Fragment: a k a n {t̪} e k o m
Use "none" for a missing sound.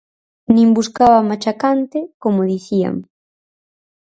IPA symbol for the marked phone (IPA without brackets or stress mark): t̪